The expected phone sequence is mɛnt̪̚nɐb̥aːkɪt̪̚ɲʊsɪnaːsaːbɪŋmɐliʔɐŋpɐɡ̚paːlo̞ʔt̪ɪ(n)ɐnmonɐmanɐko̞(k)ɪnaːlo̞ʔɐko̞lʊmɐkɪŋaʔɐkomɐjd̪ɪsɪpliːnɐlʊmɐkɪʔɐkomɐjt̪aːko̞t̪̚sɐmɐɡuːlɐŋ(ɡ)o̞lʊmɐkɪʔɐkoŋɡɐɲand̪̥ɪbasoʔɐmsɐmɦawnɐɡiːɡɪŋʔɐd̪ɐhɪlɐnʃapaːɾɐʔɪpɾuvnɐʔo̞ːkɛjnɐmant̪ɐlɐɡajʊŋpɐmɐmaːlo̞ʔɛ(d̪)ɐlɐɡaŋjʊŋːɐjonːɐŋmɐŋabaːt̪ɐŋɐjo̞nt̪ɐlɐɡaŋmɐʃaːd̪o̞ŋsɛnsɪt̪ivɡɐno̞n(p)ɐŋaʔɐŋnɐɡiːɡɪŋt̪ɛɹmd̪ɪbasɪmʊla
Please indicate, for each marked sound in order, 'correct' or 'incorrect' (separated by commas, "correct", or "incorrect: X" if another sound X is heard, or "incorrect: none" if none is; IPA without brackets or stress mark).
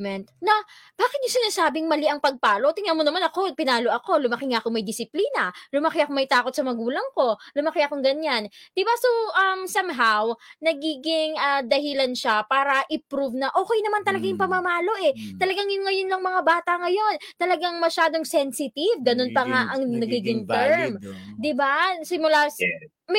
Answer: incorrect: ŋ, incorrect: p, incorrect: k, incorrect: t̪, correct